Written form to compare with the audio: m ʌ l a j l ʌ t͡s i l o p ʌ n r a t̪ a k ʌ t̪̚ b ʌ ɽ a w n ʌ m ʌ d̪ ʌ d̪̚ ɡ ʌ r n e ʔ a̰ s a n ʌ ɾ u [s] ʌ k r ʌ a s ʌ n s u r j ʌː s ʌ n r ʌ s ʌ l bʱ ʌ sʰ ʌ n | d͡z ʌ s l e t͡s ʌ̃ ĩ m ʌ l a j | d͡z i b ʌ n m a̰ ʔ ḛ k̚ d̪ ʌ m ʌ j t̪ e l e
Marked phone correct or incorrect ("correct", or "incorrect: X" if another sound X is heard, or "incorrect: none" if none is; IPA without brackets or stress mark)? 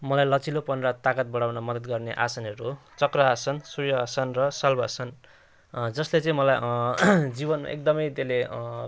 incorrect: t͡s